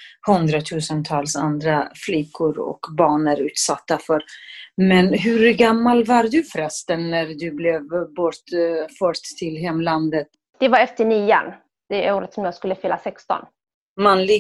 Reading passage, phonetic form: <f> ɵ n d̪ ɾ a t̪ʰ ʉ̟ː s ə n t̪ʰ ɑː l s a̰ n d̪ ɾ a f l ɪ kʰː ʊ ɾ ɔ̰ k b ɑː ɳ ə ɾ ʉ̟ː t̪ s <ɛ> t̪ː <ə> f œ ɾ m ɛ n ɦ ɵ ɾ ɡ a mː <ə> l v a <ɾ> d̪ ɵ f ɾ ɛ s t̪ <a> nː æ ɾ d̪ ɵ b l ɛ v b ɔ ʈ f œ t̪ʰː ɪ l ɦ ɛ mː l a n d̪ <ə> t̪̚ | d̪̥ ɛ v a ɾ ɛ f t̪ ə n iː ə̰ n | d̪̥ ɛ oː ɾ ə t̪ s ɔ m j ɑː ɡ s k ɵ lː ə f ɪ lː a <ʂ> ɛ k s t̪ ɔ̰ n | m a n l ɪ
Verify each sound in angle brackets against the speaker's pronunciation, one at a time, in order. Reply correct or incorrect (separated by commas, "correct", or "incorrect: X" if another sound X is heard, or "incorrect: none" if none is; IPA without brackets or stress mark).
incorrect: h, incorrect: a, incorrect: a, incorrect: a, correct, incorrect: ə, correct, incorrect: s